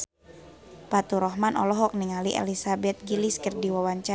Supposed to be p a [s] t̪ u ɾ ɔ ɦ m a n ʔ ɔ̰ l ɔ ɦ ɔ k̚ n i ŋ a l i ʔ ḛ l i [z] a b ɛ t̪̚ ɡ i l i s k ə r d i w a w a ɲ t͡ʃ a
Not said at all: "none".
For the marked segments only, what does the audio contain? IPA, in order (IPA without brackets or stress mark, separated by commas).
none, s